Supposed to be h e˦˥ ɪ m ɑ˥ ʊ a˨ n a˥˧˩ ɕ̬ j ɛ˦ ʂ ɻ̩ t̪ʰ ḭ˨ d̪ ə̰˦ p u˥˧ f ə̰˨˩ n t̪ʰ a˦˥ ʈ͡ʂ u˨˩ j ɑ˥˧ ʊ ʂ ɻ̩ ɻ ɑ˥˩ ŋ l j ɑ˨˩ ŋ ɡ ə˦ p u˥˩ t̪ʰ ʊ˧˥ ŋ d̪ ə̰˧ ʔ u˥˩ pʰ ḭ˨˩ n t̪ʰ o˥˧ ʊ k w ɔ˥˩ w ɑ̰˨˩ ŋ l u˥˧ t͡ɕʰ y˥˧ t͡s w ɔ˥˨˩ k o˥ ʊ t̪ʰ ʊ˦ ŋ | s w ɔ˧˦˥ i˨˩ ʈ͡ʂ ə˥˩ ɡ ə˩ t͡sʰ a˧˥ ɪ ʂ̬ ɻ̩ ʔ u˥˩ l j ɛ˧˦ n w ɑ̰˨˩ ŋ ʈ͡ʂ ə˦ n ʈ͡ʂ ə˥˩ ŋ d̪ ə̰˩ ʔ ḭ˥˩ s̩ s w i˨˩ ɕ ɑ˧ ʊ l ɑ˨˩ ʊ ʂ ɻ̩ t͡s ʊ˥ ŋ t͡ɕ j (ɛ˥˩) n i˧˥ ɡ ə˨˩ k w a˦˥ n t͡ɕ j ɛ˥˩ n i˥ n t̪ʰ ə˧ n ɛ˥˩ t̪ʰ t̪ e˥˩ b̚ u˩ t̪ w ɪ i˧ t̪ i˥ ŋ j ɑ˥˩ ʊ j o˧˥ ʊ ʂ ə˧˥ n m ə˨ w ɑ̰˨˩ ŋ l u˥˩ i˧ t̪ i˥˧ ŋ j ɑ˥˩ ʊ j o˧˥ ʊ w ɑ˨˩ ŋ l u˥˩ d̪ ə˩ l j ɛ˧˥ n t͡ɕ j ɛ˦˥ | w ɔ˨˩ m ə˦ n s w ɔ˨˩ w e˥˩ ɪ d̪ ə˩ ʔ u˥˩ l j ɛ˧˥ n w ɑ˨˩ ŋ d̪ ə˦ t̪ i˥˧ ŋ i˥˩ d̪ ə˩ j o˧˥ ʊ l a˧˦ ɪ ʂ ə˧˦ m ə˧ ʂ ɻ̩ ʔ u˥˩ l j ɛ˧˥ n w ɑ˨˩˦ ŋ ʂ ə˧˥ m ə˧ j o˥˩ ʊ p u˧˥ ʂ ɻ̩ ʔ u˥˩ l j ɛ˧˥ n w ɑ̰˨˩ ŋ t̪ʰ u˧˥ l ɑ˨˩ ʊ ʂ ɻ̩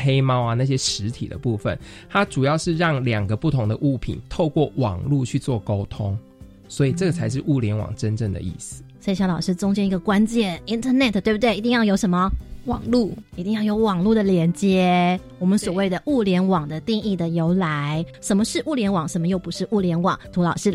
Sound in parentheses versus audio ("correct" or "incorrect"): incorrect